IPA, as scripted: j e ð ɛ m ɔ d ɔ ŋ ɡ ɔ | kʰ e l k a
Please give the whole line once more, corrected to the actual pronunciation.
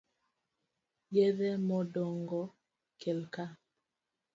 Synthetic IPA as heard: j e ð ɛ m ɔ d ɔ ŋ ɡ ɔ | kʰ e l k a